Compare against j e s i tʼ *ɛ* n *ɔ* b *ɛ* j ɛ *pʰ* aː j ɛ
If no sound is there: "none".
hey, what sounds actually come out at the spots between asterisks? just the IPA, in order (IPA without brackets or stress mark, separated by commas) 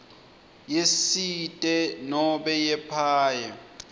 ɛ, ɔ, ɛ, pʰ